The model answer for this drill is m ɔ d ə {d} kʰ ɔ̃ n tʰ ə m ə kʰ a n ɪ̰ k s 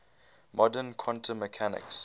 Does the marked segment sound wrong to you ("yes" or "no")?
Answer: yes